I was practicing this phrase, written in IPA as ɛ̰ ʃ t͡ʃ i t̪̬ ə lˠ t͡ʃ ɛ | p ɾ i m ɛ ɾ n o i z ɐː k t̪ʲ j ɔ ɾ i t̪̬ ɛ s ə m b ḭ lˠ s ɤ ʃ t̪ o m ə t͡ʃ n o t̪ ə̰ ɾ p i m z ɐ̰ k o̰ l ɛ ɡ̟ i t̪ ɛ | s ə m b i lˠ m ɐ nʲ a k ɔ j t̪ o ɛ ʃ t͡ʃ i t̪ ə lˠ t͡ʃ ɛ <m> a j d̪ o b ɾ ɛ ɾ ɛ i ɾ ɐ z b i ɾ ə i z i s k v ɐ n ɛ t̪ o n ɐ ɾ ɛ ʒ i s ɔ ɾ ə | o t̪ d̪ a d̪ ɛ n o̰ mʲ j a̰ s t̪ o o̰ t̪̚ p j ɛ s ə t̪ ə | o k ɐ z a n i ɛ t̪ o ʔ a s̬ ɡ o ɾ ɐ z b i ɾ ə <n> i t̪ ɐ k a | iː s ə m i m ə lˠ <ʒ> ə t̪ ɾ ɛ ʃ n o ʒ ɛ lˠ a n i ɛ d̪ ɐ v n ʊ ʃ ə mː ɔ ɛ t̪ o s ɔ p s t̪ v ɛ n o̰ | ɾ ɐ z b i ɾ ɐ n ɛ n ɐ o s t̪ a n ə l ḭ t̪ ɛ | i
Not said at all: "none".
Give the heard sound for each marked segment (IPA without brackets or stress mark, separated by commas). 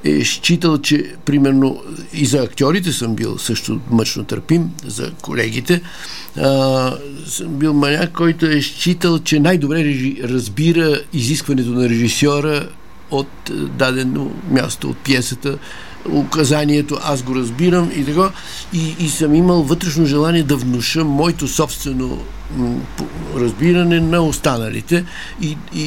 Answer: n, m, v